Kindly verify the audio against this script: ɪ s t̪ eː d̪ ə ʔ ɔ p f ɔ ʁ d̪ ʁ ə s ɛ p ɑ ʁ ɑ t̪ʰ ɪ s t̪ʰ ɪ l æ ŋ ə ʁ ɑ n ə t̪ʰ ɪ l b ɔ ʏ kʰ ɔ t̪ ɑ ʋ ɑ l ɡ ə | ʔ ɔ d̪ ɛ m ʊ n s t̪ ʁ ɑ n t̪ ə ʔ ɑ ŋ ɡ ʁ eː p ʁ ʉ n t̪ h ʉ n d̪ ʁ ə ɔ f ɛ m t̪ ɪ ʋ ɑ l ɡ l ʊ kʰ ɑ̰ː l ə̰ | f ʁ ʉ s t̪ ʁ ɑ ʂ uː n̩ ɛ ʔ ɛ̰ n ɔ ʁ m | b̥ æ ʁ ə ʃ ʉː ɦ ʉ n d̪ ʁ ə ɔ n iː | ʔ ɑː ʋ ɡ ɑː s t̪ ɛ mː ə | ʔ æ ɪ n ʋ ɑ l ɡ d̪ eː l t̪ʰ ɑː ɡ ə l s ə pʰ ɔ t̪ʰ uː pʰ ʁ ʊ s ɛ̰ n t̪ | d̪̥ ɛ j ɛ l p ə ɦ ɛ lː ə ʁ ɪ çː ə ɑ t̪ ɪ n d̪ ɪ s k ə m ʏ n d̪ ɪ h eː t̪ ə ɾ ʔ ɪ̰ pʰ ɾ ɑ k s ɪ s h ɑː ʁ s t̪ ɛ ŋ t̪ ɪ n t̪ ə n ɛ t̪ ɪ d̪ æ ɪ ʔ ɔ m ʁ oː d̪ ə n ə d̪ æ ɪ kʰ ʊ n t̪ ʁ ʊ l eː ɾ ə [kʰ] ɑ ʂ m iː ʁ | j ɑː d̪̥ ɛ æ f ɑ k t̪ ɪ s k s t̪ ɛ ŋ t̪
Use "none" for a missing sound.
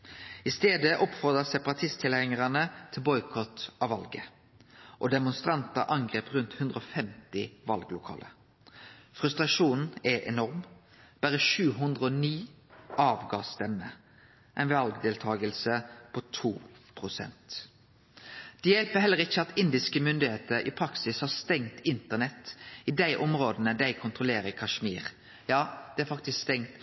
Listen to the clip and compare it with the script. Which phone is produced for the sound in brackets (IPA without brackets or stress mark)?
kʰ